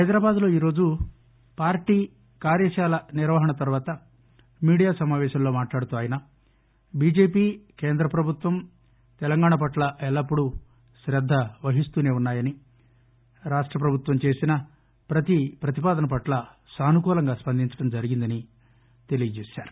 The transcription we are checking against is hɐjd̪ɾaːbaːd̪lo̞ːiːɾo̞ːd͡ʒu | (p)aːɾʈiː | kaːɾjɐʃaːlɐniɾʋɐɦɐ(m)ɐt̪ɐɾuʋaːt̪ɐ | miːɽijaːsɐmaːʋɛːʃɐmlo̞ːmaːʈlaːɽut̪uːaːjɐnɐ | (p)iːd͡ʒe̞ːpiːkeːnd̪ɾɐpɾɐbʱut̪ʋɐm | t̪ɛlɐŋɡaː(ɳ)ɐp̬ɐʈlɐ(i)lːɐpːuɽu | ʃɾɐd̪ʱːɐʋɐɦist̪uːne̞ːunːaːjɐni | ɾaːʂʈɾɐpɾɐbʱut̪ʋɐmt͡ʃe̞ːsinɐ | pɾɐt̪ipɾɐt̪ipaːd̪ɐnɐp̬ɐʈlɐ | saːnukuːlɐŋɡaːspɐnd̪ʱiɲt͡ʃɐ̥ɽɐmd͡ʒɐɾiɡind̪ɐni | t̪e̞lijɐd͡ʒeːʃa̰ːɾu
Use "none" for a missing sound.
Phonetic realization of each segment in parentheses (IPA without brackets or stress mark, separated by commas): p, ɳ, b, ɳ, ɛ